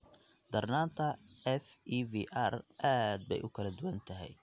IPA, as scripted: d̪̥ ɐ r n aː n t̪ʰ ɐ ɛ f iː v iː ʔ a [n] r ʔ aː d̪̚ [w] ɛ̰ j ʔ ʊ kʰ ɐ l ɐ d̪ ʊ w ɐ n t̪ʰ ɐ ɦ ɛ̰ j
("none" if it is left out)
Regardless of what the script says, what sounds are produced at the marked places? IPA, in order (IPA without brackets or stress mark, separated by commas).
none, b